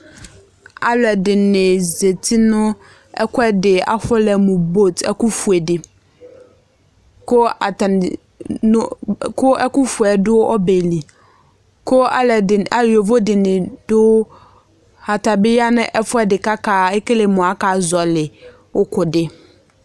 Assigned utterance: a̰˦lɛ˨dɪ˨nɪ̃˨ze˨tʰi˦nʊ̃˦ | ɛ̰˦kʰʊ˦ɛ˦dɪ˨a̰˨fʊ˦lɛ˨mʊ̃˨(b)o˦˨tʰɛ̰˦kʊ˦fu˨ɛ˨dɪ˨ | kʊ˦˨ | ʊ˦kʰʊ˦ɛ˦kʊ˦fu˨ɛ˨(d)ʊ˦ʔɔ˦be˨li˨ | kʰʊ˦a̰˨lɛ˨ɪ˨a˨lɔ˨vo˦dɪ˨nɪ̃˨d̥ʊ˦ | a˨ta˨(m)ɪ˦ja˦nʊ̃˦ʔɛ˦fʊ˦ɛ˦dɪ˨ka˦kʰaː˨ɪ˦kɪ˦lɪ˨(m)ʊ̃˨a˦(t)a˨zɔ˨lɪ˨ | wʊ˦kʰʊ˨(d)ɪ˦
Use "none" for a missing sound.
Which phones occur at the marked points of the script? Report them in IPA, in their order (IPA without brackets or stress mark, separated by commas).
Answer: b, d, b, m, k, d